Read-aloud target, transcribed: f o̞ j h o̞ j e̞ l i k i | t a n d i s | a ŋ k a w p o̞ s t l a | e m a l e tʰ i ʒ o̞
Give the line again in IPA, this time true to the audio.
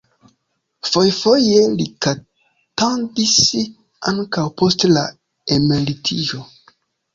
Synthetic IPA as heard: f o̞ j f o̞ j e̞ l i k a | t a n d i s | a ŋ k a w p o̞ s t l a | e m e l i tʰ i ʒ o̞